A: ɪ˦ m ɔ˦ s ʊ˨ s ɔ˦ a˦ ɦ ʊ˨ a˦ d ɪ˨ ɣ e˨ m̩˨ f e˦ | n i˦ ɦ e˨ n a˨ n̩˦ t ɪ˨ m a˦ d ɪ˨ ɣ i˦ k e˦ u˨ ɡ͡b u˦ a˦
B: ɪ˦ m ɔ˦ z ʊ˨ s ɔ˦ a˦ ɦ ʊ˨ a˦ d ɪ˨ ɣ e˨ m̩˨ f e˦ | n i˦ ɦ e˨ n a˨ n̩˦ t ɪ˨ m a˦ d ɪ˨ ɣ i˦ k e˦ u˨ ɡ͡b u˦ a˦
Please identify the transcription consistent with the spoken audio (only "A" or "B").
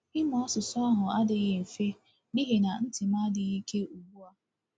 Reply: A